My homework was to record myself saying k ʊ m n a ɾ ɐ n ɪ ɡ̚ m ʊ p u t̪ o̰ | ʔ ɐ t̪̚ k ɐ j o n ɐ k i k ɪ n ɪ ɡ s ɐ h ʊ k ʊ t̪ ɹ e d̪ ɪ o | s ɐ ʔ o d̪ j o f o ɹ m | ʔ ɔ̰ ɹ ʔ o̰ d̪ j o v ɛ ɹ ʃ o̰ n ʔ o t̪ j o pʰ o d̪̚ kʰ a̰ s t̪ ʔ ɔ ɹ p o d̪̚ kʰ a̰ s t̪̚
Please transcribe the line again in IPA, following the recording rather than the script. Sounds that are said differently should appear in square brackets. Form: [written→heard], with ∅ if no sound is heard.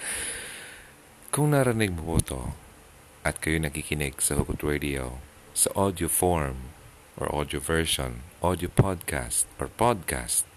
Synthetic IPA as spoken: k ʊ [m→ŋ] n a ɾ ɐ n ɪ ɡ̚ m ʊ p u t̪ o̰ | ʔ ɐ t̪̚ k ɐ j o n ɐ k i k ɪ n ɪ ɡ s ɐ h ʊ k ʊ t̪ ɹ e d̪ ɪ o | s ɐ ʔ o d̪ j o f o ɹ m | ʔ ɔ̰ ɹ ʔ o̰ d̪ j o v ɛ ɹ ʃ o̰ n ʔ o [t̪→d̪] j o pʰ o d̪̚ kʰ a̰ s t̪ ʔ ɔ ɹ p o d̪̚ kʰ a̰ s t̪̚